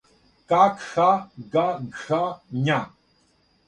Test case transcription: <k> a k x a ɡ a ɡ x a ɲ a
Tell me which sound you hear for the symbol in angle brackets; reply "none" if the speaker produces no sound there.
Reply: k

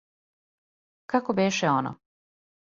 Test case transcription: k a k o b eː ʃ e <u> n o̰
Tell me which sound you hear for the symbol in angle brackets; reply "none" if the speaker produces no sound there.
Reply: o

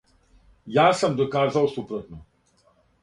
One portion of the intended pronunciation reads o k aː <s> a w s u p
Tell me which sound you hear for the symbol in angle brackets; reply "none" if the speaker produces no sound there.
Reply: z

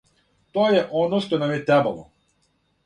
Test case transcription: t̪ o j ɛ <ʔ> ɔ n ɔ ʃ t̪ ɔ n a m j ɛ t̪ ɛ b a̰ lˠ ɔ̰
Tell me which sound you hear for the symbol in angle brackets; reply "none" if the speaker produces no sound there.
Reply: ʔ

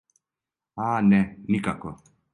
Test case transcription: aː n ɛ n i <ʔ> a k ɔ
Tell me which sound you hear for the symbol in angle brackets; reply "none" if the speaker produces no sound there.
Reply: k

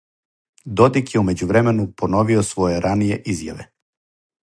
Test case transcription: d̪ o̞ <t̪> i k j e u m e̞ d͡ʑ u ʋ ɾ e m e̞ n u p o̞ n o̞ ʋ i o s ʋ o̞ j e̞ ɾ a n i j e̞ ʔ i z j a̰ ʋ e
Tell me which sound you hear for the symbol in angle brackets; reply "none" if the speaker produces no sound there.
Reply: d̪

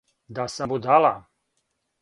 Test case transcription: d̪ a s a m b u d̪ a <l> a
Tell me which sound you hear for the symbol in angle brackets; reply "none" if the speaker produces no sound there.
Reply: l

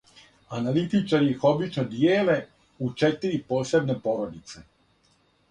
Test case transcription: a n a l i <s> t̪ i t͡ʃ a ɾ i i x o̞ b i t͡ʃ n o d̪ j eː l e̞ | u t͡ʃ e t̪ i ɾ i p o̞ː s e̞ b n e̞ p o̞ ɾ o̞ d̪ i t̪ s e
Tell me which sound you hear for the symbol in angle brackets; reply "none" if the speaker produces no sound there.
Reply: none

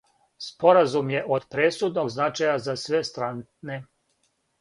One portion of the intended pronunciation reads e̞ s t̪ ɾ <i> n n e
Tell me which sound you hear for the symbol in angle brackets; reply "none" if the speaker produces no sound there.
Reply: a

